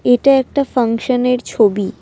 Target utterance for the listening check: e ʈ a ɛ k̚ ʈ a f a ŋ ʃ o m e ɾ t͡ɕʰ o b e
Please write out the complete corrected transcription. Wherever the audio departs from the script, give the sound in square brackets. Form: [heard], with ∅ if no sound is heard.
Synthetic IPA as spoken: e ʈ a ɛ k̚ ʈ a f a ŋ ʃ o [n] e ɾ t͡ɕʰ o b [i]